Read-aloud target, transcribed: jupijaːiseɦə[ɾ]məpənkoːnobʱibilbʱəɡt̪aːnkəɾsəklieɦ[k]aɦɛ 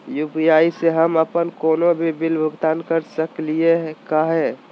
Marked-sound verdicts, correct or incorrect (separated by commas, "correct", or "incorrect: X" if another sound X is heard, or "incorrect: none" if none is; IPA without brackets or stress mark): incorrect: none, correct